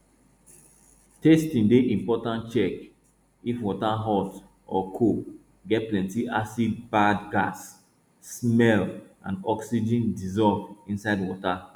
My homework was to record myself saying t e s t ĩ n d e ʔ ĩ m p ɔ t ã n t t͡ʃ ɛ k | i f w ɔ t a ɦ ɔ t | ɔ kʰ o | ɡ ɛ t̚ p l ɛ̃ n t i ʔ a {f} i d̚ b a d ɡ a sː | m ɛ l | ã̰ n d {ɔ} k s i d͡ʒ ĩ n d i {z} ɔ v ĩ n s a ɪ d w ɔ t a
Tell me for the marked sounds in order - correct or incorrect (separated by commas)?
incorrect, correct, correct